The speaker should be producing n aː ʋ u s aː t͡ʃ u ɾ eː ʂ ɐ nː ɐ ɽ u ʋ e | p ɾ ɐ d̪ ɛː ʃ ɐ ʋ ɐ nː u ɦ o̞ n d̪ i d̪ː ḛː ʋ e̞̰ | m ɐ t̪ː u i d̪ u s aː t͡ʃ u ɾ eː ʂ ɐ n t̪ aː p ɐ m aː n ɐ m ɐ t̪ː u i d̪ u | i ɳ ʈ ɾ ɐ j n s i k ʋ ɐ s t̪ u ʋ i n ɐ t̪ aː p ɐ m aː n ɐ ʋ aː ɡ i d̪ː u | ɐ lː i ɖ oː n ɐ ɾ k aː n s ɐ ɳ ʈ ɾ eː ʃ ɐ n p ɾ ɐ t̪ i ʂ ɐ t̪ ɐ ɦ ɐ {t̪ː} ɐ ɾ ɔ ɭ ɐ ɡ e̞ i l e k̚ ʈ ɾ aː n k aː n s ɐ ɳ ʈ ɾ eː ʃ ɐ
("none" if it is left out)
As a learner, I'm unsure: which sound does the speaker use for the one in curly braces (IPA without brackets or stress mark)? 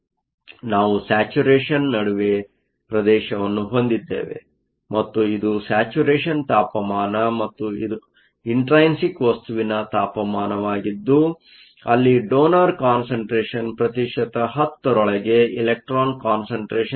t̪ː